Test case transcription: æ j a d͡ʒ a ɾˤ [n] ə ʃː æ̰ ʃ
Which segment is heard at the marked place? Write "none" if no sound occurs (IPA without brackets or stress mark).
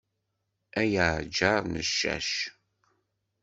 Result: n